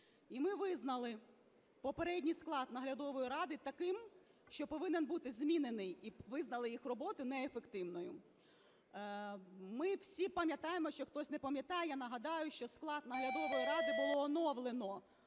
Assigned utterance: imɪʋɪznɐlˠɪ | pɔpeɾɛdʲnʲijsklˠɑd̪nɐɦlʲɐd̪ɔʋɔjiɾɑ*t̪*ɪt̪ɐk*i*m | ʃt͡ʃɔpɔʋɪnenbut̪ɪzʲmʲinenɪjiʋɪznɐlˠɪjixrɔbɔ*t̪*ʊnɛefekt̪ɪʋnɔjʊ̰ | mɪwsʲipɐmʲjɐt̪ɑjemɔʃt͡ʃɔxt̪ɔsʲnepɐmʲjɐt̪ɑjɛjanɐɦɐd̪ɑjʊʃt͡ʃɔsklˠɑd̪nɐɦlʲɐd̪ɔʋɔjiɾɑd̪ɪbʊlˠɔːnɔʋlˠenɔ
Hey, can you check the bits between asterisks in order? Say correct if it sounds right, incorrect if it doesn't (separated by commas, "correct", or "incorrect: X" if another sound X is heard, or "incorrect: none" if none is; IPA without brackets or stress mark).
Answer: incorrect: d̪, incorrect: ɪ, correct